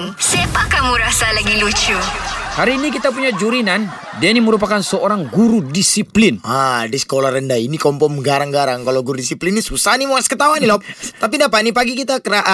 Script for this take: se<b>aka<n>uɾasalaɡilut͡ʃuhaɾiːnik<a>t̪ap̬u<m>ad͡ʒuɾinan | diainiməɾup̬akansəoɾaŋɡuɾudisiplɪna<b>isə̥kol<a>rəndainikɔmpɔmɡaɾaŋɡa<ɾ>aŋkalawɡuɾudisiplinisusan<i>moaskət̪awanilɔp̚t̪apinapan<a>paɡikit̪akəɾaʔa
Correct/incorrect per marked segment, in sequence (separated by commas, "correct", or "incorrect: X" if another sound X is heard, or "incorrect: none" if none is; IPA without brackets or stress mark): incorrect: p, incorrect: m, incorrect: i, incorrect: ɲ, incorrect: d, correct, correct, correct, incorrect: i